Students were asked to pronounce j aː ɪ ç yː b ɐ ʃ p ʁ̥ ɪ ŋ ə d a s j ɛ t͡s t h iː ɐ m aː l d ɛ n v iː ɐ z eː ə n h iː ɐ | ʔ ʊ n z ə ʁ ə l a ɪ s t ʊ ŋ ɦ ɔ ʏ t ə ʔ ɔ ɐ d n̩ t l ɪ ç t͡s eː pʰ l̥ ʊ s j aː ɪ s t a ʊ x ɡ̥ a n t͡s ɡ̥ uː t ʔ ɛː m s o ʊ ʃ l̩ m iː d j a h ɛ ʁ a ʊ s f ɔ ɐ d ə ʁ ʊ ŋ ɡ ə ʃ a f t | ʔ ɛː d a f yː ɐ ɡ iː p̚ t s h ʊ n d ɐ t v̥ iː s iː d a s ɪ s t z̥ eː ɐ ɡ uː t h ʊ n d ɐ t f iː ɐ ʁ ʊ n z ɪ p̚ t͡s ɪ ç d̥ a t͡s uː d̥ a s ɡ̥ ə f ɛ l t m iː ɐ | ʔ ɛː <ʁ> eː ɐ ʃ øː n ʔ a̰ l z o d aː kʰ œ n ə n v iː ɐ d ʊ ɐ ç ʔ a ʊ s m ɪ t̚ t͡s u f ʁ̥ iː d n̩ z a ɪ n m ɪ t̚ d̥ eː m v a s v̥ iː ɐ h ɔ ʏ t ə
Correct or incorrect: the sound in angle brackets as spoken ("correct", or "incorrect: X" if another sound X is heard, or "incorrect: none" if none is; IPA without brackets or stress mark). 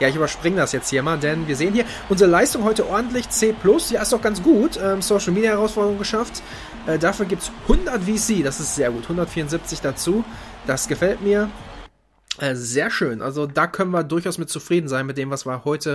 incorrect: z